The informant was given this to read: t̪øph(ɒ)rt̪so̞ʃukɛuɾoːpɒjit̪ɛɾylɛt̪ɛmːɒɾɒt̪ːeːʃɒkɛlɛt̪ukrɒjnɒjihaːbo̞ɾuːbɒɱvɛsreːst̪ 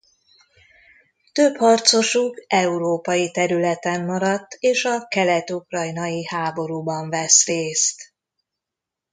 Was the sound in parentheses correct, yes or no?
yes